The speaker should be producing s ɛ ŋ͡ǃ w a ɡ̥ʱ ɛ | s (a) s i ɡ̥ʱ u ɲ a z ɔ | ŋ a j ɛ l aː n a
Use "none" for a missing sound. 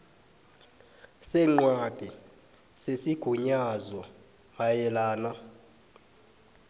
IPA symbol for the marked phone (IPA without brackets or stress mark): e